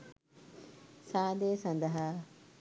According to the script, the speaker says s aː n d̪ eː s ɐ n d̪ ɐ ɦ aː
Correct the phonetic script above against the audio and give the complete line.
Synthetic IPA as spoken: s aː d̪ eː s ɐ n d̪ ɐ ɦ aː